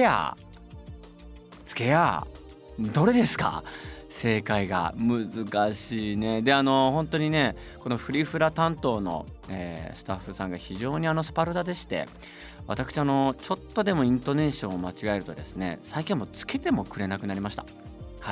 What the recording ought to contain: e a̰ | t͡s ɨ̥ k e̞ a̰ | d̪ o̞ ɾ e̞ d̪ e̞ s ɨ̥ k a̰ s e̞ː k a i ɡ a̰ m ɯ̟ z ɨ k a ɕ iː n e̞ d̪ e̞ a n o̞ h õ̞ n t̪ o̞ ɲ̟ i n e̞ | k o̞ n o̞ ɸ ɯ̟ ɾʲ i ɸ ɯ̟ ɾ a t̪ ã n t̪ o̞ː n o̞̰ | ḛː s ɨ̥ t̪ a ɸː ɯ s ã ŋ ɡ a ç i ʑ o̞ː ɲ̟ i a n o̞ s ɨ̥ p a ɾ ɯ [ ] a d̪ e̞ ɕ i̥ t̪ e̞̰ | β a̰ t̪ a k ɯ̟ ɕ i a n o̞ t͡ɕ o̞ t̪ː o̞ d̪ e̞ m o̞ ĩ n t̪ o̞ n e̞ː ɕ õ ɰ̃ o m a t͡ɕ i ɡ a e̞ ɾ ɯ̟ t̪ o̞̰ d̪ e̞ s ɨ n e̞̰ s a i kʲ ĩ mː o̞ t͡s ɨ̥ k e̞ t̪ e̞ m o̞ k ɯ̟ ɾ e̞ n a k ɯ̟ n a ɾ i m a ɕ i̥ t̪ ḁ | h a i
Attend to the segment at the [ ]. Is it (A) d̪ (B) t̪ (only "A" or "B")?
A